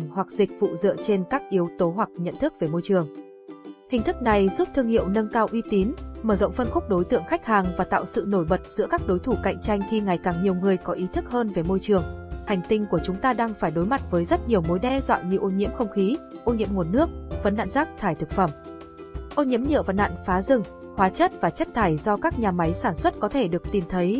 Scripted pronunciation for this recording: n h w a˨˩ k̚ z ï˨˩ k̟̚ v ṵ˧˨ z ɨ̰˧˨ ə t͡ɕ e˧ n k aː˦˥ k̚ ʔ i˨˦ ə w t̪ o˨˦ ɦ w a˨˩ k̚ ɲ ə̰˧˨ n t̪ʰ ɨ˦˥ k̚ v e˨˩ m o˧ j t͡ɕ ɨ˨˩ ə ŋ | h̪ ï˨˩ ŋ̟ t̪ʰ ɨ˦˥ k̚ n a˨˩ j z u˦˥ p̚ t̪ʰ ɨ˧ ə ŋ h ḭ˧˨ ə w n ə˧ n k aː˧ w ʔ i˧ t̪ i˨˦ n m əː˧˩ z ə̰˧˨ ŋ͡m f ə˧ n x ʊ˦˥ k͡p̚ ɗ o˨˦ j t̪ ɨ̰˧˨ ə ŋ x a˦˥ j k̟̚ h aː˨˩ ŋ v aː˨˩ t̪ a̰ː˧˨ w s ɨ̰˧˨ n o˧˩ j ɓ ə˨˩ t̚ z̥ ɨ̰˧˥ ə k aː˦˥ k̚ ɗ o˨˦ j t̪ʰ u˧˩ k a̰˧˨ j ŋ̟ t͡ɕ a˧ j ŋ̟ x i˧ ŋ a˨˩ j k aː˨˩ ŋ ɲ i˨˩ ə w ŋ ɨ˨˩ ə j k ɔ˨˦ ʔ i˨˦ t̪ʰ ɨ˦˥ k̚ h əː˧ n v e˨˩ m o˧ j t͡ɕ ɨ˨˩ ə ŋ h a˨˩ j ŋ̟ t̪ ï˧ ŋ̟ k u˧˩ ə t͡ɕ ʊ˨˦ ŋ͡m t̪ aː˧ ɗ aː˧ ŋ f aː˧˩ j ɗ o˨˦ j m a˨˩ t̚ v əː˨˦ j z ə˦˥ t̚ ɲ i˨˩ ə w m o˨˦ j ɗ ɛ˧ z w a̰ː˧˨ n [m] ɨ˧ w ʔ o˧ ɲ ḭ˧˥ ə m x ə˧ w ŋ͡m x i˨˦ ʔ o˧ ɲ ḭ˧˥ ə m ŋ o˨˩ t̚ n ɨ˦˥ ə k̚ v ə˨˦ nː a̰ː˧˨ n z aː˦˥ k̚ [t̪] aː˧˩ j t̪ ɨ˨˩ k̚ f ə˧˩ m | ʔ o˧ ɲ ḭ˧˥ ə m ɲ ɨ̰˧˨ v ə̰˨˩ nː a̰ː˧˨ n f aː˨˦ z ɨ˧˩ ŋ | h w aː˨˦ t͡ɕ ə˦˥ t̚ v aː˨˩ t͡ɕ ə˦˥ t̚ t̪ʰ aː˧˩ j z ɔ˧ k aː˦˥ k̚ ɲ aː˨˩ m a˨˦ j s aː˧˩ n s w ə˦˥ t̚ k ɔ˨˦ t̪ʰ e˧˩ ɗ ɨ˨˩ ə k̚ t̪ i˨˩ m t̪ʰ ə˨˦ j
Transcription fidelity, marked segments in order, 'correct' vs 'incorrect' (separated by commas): incorrect, incorrect